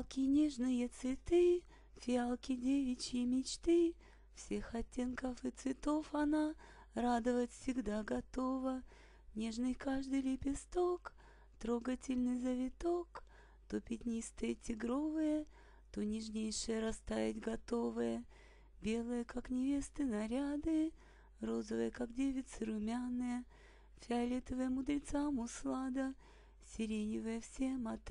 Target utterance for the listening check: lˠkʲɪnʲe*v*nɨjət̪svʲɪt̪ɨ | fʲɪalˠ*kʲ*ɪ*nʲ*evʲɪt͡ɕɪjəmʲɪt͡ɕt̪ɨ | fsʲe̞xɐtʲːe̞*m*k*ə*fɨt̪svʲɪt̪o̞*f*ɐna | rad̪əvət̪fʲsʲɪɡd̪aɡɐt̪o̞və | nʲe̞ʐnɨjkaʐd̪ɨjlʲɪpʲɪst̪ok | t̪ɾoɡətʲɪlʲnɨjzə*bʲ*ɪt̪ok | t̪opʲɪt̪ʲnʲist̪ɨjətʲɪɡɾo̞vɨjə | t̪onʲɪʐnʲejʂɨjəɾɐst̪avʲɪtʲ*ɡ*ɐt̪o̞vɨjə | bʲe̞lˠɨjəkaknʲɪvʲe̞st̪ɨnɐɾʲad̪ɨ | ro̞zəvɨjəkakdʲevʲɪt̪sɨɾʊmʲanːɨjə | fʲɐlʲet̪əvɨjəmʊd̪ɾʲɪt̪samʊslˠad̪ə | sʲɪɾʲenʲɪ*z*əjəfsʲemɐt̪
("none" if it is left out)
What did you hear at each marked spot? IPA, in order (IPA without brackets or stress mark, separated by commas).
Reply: ʐ, kʲ, dʲ, n, ə, f, vʲ, ɡ, v